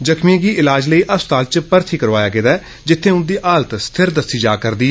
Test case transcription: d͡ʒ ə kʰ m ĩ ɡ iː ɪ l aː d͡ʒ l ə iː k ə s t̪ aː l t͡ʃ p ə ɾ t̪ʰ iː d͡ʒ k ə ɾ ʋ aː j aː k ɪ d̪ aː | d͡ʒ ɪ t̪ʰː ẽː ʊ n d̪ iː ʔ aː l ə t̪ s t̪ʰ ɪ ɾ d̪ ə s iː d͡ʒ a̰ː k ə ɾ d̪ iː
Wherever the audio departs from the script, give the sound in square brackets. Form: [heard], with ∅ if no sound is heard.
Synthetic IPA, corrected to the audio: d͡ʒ ə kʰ m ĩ ɡ iː ɪ l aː d͡ʒ l ə iː [ʔ] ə s t̪ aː l t͡ʃ p ə ɾ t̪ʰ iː [∅] k ə ɾ ʋ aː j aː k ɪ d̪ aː | d͡ʒ ɪ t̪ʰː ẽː ʊ n d̪ iː ʔ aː l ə t̪ s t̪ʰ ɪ ɾ d̪ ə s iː d͡ʒ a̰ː k ə ɾ d̪ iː